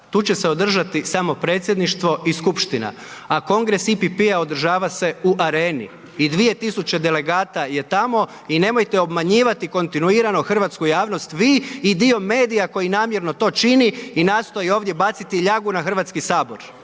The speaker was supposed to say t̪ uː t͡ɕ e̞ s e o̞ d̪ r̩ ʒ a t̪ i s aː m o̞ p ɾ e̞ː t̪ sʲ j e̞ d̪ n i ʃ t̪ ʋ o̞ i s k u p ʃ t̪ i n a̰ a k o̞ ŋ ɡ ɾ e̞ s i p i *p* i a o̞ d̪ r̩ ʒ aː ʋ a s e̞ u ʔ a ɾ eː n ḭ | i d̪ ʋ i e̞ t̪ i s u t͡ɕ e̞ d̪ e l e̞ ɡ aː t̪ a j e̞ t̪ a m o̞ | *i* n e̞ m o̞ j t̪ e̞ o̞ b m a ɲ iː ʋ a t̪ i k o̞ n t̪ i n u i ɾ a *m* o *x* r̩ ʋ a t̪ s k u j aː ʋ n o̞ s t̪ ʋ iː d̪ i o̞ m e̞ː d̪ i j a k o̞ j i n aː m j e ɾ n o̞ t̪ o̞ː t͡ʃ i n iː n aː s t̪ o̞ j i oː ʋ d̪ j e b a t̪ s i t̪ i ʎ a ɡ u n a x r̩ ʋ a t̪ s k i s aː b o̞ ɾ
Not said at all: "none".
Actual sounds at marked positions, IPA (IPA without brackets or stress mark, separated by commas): p, i, n, x